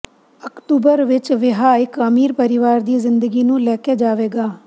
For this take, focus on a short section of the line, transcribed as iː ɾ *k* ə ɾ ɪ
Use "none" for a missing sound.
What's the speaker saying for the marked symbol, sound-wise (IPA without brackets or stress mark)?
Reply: p